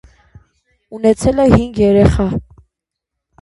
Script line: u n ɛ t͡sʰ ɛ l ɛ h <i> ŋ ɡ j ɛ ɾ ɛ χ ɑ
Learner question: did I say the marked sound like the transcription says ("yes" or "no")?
yes